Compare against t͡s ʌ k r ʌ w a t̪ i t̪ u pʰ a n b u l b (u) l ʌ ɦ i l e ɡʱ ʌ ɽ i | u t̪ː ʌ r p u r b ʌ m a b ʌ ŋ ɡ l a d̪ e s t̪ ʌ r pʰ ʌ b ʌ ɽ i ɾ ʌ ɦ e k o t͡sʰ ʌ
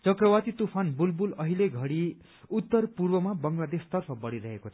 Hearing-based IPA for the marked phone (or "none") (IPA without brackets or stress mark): u